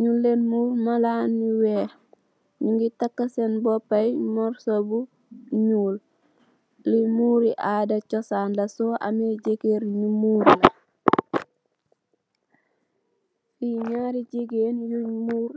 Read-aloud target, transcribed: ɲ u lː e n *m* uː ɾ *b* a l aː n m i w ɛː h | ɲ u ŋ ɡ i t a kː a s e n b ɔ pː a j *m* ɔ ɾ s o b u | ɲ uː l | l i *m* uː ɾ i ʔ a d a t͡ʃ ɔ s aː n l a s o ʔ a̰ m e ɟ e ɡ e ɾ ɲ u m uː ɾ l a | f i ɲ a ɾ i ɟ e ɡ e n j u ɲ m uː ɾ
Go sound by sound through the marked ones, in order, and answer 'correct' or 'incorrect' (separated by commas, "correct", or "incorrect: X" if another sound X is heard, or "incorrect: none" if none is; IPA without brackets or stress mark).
correct, incorrect: m, correct, correct